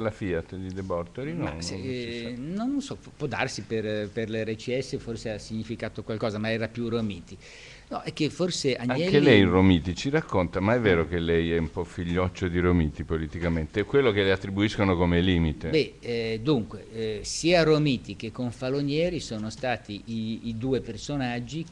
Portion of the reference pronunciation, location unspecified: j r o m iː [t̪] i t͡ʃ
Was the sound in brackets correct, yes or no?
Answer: yes